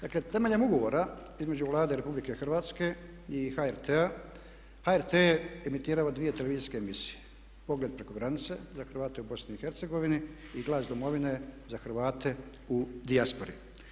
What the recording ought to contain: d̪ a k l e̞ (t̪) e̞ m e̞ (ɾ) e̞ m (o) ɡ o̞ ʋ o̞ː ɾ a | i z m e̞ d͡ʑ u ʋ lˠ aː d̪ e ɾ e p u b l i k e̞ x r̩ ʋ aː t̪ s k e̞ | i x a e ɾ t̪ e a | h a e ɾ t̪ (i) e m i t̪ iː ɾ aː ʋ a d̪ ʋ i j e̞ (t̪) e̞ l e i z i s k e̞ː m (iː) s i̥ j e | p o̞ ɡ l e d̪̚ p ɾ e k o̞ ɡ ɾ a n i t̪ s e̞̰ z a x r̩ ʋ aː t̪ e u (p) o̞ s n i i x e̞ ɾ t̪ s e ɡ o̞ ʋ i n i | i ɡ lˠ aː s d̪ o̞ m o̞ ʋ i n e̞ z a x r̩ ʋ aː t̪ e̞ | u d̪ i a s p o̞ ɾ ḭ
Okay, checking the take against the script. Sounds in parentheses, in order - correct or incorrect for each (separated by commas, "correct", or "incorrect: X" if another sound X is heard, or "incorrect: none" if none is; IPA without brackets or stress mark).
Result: correct, incorrect: ʎ, incorrect: u, incorrect: e, correct, incorrect: i, incorrect: b